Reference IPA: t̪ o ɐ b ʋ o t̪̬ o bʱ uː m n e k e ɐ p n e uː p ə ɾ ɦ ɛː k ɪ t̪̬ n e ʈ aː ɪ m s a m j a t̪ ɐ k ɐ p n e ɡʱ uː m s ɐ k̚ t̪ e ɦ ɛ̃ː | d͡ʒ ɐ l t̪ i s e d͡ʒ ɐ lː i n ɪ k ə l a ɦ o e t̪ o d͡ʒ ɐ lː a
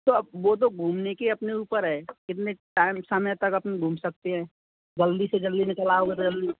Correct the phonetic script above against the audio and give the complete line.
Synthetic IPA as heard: t̪ o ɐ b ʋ o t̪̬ o ɡʱ uː m n e k e ɐ p n e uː p ə ɾ ɦ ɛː k ɪ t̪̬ n e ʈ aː ɪ m s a m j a t̪ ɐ k ɐ p n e ɡʱ uː m s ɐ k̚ t̪ e ɦ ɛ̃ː | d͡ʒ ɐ l d̪ i s e d͡ʒ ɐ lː i n ɪ k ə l a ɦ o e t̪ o d͡ʒ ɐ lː i